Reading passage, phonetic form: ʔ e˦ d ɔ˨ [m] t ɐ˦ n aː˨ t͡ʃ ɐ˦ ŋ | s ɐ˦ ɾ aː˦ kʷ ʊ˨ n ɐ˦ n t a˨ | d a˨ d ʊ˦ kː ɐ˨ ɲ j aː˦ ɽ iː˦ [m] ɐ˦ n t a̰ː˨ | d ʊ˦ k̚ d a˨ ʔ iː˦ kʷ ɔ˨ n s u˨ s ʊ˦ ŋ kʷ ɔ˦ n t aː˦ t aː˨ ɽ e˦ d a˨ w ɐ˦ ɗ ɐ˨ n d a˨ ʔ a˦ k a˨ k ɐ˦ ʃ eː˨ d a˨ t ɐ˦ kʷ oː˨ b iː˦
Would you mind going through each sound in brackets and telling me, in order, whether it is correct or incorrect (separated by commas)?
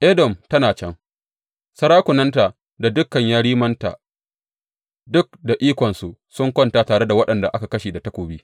correct, correct